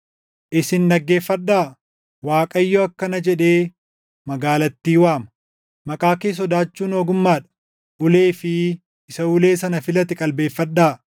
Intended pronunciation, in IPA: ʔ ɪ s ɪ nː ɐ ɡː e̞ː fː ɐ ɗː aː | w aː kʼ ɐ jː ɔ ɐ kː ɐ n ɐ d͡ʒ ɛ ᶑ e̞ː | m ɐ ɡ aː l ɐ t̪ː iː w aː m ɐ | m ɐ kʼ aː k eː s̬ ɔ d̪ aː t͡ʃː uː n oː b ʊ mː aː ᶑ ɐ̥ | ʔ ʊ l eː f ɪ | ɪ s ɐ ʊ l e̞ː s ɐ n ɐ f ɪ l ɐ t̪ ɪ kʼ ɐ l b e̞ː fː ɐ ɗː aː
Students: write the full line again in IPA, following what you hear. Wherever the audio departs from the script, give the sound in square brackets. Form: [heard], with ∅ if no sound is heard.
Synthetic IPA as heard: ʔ ɪ s ɪ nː ɐ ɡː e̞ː fː ɐ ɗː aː | w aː kʼ ɐ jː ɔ ɐ kː ɐ n ɐ d͡ʒ ɛ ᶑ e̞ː | m ɐ ɡ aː l ɐ t̪ː iː w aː m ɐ | m ɐ kʼ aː k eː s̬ ɔ d̪ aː t͡ʃː uː n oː [ɡ] ʊ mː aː ᶑ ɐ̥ | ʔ ʊ l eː f ɪ | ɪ s ɐ ʊ l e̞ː s ɐ n ɐ f ɪ l ɐ t̪ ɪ kʼ ɐ l b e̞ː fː ɐ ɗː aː